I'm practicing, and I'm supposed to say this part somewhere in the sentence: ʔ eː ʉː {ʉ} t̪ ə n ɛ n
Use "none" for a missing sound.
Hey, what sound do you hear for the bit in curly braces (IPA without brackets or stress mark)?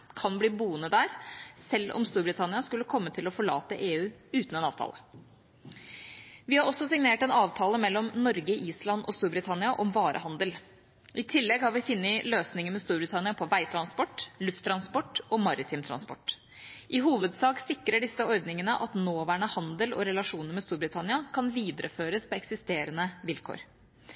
ʉː